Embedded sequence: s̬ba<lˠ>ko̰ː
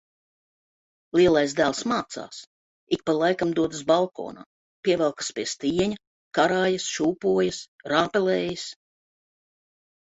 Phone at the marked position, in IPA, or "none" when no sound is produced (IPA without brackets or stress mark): lˠ